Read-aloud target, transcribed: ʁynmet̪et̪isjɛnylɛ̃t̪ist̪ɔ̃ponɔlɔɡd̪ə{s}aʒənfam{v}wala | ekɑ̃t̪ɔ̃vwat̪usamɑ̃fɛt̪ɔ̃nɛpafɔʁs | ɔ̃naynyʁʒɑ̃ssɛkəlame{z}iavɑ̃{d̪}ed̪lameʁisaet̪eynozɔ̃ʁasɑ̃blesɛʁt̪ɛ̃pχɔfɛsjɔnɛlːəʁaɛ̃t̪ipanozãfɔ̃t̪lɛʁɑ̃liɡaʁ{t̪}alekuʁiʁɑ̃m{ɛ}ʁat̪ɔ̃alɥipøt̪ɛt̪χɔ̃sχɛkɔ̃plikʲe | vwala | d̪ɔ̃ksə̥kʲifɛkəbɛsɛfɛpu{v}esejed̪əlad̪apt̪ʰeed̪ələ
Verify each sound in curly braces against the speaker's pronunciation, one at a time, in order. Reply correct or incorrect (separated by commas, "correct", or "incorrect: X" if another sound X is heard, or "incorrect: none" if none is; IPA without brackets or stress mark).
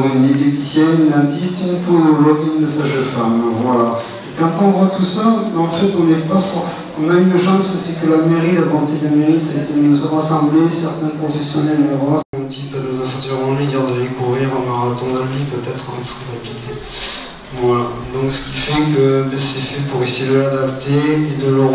correct, correct, incorrect: ʁ, incorrect: t̪, incorrect: d̪, incorrect: a, incorrect: ʁ